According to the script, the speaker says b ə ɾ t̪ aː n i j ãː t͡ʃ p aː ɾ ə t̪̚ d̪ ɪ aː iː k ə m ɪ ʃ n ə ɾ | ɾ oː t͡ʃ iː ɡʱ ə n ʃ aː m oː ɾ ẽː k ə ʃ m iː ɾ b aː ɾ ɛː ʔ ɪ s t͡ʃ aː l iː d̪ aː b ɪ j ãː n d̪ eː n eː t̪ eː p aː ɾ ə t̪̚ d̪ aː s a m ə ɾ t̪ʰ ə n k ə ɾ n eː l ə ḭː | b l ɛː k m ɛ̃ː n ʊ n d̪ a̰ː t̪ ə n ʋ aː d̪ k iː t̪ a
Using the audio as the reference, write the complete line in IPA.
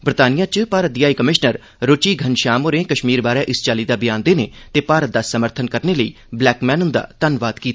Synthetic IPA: b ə ɾ t̪ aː n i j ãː t͡ʃ p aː ɾ ə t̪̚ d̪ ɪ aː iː k ə m ɪ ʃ n ə ɾ | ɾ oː t͡ʃ iː ɡʱ ə n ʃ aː m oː ɾ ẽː k ə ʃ m iː ɾ b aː ɾ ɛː ʔ ɪ s t͡ʃ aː l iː d̪ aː b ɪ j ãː n d̪ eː n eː t̪ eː p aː ɾ ə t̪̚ d̪ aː s ə m ə ɾ t̪ʰ ə n k ə ɾ n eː l ə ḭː | b l ɛː k m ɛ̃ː n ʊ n d̪ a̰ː t̪ ə n ʋ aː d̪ k iː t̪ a